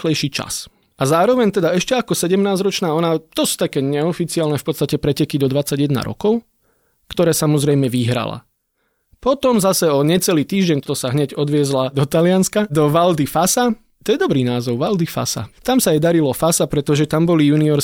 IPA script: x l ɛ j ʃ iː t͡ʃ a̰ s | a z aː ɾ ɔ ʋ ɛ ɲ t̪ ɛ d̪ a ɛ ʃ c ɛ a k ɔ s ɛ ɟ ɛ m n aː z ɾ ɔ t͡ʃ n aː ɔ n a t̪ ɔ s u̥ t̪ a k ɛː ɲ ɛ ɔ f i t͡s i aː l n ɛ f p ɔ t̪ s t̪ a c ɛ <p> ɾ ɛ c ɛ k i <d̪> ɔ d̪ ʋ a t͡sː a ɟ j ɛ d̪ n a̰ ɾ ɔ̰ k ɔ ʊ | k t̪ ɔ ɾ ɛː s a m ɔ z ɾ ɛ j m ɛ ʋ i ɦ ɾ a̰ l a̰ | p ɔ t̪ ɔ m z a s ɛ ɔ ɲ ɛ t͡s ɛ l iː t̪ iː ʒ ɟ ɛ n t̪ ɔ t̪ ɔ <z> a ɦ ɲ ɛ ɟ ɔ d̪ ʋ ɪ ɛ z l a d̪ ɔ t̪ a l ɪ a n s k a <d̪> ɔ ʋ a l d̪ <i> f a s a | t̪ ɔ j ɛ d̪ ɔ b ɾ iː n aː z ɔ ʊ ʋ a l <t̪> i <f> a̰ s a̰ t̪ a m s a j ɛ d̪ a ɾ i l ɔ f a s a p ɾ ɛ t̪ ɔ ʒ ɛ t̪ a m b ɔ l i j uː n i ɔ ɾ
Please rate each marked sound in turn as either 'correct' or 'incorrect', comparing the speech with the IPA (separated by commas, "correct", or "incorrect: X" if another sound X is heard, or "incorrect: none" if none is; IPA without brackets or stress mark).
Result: correct, correct, incorrect: s, correct, correct, incorrect: d̪, correct